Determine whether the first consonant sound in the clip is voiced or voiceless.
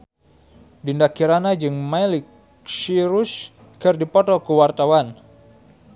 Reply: voiced